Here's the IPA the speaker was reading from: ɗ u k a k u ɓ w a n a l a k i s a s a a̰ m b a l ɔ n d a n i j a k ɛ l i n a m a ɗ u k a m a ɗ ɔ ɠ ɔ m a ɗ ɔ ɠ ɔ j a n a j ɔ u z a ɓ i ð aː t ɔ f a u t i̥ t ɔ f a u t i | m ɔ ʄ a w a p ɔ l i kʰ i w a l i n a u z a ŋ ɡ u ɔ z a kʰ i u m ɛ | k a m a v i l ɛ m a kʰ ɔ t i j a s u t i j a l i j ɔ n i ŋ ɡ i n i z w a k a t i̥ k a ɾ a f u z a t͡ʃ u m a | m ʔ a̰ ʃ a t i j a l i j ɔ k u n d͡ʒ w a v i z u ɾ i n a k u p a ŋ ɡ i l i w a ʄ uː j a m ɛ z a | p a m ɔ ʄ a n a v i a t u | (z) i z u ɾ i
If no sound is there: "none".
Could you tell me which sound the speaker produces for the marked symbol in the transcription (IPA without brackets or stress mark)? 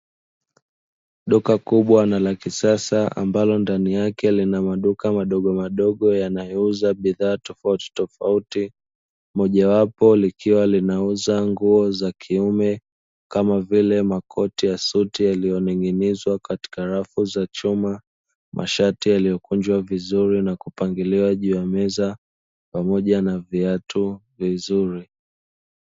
v